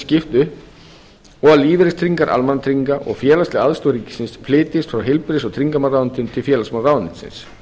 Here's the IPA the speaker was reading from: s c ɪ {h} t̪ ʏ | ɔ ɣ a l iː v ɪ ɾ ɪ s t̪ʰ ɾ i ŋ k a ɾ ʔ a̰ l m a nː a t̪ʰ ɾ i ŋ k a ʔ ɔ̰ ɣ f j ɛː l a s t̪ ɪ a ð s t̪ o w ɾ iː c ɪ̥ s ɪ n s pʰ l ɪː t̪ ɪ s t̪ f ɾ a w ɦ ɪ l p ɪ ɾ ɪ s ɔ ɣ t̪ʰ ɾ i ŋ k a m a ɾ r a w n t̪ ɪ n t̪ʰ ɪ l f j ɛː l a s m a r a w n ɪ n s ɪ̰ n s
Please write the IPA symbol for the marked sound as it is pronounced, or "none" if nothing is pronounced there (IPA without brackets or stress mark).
f